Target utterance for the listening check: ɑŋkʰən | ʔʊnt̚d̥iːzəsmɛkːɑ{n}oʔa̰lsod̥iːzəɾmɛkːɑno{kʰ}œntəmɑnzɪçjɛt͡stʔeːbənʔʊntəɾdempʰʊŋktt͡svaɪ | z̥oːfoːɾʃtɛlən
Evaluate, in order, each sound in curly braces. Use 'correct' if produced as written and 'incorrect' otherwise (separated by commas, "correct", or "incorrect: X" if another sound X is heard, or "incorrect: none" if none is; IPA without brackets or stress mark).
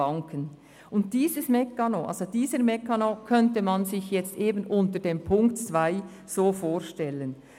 correct, correct